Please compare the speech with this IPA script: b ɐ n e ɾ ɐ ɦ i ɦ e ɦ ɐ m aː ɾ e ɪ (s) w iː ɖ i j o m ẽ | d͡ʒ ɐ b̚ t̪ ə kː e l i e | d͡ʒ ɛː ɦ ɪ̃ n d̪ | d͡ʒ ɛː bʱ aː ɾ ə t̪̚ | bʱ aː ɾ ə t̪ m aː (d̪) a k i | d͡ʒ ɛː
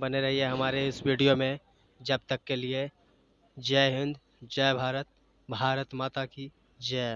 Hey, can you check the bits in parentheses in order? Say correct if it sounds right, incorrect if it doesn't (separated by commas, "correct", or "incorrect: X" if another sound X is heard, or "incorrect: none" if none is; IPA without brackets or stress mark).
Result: correct, incorrect: t̪